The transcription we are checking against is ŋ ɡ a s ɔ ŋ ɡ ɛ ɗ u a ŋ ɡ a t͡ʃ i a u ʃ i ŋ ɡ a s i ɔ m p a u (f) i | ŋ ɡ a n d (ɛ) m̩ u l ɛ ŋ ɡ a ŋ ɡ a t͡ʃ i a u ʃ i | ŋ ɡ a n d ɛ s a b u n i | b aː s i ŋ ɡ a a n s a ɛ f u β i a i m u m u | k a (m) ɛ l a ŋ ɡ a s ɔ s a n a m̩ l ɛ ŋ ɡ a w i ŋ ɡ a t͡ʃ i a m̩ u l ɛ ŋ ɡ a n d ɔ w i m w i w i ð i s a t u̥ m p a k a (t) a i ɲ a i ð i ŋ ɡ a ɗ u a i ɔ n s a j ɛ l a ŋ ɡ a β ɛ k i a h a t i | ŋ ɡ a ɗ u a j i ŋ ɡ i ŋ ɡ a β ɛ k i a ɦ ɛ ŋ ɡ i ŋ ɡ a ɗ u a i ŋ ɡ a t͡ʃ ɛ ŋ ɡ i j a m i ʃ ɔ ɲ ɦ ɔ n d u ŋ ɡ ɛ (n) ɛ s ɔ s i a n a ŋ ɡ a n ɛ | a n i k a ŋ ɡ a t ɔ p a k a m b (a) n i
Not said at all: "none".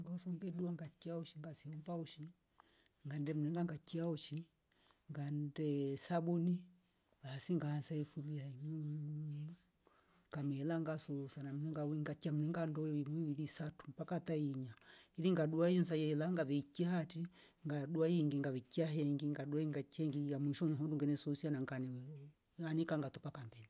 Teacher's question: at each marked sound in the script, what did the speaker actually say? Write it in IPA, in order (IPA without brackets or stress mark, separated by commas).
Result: ʃ, ɛ, m, t, n, ɛ